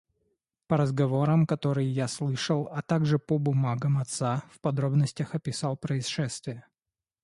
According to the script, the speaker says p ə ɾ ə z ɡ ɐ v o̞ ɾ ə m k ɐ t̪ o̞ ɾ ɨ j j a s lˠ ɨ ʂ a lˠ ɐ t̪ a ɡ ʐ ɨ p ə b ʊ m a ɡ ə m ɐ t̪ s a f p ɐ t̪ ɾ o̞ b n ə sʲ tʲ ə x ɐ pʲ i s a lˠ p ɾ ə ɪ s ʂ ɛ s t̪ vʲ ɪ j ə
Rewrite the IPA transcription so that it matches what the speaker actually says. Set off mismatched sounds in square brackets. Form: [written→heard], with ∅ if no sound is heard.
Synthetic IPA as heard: p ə ɾ ə z ɡ ɐ v o̞ ɾ ə m k ɐ t̪ o̞ ɾ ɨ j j a s lˠ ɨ ʂ [a→ə] lˠ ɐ t̪ a ɡ ʐ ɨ p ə b ʊ m a ɡ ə m ɐ t̪ s a f p ɐ [t̪→d̪] ɾ o̞ b n ə sʲ tʲ ə x ɐ pʲ [i→ɪ] s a lˠ p ɾ ə ɪ s ʂ ɛ s t̪ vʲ ɪ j ə